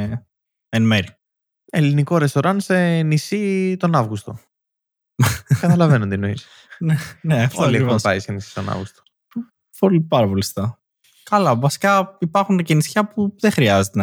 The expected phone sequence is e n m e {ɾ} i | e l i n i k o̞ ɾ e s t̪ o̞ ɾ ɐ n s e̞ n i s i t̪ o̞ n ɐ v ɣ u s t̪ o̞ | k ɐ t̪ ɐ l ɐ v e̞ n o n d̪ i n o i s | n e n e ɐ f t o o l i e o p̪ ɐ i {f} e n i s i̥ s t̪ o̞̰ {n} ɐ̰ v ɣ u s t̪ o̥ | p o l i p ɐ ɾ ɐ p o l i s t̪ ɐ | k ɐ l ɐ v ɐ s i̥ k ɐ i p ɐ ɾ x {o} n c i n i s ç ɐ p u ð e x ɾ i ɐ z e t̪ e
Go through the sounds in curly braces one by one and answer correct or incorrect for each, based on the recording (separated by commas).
correct, incorrect, correct, incorrect